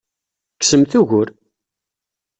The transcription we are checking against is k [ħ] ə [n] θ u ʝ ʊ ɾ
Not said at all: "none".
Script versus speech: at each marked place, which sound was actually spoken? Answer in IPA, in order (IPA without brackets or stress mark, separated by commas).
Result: s, m